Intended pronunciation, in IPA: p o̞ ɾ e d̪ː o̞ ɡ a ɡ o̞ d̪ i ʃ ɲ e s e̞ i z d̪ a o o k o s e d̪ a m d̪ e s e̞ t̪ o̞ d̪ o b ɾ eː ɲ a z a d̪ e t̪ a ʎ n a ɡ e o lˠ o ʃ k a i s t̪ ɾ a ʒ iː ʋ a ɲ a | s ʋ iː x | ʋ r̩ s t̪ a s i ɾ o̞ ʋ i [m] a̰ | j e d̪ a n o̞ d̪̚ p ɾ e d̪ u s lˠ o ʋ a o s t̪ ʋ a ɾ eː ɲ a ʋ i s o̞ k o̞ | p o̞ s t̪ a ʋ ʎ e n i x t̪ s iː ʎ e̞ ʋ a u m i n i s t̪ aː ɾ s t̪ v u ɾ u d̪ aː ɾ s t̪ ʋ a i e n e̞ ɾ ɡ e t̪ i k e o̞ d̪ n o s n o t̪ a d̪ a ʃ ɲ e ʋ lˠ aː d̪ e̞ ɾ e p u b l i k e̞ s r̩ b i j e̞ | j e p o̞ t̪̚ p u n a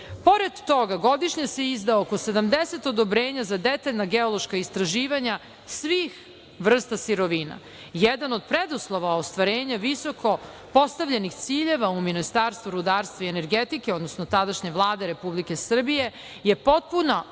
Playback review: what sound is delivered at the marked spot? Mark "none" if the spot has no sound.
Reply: n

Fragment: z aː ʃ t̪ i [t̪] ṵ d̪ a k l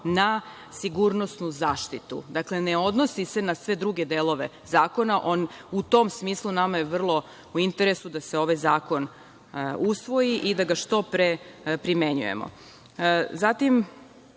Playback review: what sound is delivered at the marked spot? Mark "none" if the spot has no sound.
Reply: t̪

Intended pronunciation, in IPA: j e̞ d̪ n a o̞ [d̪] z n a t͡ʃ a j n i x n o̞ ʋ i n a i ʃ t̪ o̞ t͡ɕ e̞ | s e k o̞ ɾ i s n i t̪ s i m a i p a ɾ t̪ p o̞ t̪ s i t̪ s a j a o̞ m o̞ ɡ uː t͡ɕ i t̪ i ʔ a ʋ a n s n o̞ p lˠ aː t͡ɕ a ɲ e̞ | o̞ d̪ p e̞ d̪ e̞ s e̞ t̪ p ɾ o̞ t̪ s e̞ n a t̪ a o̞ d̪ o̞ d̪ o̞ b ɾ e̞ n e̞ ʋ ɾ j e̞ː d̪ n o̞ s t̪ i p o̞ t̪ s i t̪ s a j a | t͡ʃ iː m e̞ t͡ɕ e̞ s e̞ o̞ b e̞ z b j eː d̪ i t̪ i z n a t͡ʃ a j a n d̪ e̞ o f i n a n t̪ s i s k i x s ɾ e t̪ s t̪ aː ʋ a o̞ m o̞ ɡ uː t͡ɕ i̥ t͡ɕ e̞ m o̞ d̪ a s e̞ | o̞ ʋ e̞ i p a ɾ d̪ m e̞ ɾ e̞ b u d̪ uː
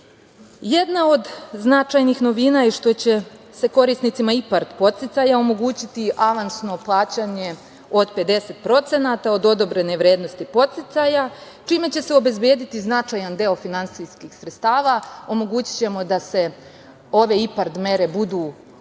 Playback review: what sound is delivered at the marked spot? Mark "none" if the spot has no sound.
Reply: d̪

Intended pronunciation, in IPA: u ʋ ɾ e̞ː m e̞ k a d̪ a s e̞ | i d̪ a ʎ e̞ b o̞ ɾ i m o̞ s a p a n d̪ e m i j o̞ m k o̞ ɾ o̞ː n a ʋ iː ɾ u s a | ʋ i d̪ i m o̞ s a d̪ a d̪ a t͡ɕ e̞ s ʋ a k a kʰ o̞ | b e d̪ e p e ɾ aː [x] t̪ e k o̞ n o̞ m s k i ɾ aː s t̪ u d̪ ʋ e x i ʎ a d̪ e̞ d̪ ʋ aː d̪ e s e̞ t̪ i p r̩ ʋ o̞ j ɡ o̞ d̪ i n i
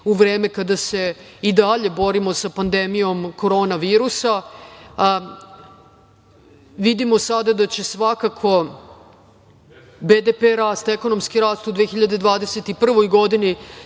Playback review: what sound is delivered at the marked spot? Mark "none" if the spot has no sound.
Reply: s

